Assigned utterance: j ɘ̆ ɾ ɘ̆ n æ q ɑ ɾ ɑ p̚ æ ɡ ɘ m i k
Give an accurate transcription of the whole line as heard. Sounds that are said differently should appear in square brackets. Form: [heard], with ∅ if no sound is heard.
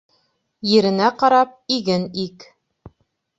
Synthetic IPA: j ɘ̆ ɾ ɘ̆ n æ q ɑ ɾ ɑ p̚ [i] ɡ ɘ [n] i k